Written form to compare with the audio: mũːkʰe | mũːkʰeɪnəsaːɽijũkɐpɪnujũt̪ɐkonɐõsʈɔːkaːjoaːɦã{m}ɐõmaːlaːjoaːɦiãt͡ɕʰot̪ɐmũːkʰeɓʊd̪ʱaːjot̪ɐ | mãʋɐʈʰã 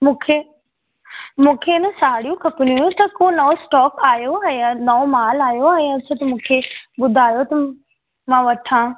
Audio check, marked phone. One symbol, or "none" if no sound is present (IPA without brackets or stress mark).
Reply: n